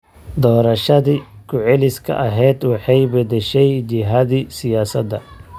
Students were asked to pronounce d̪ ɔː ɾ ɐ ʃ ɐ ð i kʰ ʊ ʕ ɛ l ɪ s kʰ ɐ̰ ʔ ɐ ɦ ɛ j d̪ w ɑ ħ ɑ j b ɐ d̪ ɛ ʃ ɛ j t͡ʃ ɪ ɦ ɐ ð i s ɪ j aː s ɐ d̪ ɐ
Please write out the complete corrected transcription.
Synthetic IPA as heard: d̪ ɔː ɾ ɐ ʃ ɐ ð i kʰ ʊ ʕ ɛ l ɪ s kʰ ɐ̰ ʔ ɐ ɦ ɛ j d̪ w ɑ ħ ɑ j b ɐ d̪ ɛ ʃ ɛ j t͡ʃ ɪ ɦ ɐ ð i s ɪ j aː s ɐ d̪ ɐ